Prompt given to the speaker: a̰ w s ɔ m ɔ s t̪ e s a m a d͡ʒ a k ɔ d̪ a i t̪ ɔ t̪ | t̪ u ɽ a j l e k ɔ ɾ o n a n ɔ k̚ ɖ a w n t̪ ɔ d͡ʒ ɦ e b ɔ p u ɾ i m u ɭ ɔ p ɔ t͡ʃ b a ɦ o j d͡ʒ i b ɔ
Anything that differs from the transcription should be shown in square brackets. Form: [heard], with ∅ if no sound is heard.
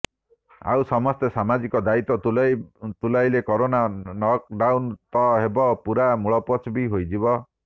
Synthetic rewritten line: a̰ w s ɔ m ɔ s t̪ e s a m a d͡ʒ [i] k ɔ d̪ a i t̪ ɔ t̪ | t̪ u [l] a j l e k ɔ ɾ o n a n ɔ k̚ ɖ a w n t̪ ɔ [∅] ɦ e b ɔ p u ɾ [a] m u ɭ ɔ p ɔ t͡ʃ b [i] ɦ o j d͡ʒ i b ɔ